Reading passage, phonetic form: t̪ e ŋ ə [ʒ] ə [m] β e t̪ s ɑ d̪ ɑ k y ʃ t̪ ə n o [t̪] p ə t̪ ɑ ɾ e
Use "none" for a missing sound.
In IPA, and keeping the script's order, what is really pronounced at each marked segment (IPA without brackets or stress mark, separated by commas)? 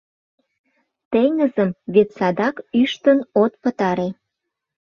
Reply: z, m, t̪